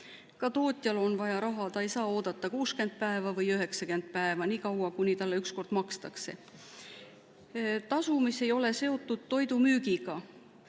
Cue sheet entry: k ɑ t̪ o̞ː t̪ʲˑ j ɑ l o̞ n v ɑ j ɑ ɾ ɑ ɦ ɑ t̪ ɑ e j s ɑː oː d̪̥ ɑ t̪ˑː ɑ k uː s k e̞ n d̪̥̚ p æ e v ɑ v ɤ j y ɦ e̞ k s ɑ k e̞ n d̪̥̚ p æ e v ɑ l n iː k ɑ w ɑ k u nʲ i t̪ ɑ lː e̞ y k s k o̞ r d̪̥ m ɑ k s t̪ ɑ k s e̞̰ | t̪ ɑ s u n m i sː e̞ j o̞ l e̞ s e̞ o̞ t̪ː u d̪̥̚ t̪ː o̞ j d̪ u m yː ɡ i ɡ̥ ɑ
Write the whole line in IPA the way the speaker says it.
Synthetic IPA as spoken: k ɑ t̪ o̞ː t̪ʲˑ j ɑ l o̞ n v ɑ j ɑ ɾ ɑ ɦ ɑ t̪ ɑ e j s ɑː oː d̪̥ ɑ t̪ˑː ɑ k uː s k e̞ n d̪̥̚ p æ e v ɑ v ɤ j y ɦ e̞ k s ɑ k e̞ n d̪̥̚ p æ e v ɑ n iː k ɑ w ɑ k u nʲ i t̪ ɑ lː e̞ y k s k o̞ r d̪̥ m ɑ k s t̪ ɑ k s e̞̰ | t̪ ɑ s u m i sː e̞ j o̞ l e̞ s e̞ o̞ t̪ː u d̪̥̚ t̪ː o̞ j d̪ u m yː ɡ i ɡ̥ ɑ